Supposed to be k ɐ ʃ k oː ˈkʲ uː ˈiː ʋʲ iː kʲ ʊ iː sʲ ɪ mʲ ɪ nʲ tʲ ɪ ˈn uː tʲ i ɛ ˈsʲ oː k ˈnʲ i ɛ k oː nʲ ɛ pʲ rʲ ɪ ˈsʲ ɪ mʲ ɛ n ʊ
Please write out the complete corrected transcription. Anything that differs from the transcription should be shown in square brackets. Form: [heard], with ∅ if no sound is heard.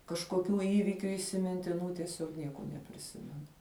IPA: k ɐ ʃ k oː ˈkʲ uː ˈiː ʋʲ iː kʲ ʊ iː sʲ ɪ mʲ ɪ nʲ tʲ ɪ ˈn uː tʲ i ɛ ˈsʲ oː k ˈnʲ i ɛ k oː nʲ ɛ pʲ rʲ ɪ ˈsʲ ɪ mʲ ɛ n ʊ

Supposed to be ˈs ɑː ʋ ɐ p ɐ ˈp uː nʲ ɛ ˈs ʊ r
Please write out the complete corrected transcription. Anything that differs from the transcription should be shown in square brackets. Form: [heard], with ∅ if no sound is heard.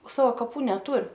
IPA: ˈs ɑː ʋ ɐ [k] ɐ ˈp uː nʲ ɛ [ˈt] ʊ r

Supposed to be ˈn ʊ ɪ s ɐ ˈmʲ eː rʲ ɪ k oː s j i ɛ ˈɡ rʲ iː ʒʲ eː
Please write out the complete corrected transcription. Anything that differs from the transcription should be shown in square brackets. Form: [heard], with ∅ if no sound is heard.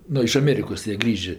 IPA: ˈn ʊ ɪ [ʃ] ɐ ˈmʲ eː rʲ ɪ k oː s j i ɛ ˈɡ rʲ iː ʒʲ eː

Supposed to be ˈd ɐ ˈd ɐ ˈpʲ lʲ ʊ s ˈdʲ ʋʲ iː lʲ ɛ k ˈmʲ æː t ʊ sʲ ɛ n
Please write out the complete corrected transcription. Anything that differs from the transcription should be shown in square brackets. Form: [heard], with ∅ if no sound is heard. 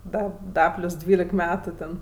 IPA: ˈd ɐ ˈd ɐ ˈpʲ lʲ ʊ s ˈdʲ ʋʲ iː lʲ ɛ k ˈmʲ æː t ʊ [tʲ] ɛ n

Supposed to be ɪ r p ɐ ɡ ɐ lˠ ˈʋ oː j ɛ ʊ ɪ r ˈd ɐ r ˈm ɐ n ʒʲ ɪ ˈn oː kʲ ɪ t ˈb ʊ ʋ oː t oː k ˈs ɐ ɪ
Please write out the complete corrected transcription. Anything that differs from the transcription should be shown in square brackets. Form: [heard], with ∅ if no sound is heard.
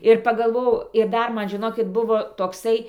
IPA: ɪ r p ɐ ɡ ɐ lˠ ˈʋ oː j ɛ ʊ ɪ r ˈd ɐ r ˈm ɐ n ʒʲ ɪ ˈn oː kʲ ɪ t ˈb ʊ ʋ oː t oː k ˈs ɐ ɪ

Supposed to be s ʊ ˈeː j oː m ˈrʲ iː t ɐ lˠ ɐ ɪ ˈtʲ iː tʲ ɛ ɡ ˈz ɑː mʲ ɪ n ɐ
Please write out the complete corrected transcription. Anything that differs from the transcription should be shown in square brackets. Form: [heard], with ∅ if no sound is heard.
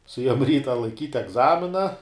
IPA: s ʊ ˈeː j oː m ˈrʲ iː t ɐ lˠ ɐ ɪ [ˈkʲ] iː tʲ ɛ ɡ ˈz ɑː mʲ ɪ n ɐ

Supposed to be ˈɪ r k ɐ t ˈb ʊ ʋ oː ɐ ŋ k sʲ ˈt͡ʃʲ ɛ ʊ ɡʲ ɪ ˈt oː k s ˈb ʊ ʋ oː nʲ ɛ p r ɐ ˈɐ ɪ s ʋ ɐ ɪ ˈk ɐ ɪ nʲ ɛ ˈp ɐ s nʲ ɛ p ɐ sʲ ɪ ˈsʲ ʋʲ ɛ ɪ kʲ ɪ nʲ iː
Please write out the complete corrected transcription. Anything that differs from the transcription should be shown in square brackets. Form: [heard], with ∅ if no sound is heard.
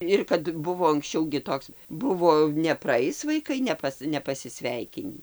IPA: ˈɪ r k ɐ t ˈb ʊ ʋ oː ɐ ŋ k sʲ ˈt͡ʃʲ ɛ ʊ ɡʲ ɪ ˈt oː k s ˈb ʊ ʋ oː nʲ ɛ p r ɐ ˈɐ ɪ s ʋ ɐ ɪ ˈk ɐ ɪ nʲ ɛ ˈp ɐ s nʲ ɛ p ɐ sʲ ɪ ˈsʲ ʋʲ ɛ ɪ kʲ ɪ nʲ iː

